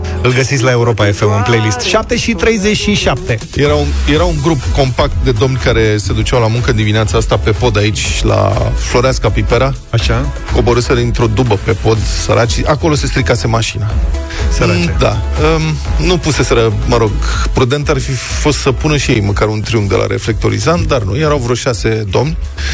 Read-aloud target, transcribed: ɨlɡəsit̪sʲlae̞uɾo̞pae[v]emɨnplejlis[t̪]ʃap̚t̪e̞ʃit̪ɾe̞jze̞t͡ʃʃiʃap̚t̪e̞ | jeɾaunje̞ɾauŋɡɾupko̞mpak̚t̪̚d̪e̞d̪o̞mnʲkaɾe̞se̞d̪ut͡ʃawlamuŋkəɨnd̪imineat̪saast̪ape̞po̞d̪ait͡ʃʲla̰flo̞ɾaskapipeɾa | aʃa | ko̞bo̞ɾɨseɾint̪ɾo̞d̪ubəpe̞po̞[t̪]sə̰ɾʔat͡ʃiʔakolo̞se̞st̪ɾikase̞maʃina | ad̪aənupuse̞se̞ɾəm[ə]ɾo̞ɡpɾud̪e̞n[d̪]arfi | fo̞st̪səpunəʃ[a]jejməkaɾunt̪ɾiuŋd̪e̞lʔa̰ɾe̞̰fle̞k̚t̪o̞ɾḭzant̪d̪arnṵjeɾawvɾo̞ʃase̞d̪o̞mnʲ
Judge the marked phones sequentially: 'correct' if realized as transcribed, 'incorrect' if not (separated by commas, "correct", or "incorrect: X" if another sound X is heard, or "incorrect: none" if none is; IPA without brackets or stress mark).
incorrect: f, correct, incorrect: d̪, correct, incorrect: t̪, incorrect: i